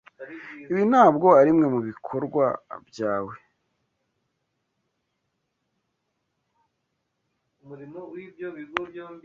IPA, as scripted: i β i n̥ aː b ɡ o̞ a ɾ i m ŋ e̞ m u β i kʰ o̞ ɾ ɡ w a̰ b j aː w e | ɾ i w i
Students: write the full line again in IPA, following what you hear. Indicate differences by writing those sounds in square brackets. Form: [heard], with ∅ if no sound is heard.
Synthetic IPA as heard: i β i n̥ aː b ɡ o̞ a ɾ i m ŋ e̞ m u β i kʰ o̞ ɾ ɡ w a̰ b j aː w e | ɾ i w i